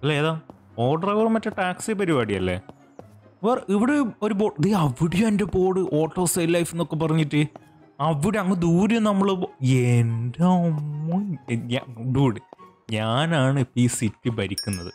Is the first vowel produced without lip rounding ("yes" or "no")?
yes